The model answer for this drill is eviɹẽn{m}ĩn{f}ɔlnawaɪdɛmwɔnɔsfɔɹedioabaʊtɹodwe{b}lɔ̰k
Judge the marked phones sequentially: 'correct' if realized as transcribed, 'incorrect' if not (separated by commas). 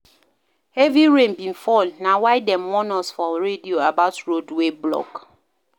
incorrect, correct, correct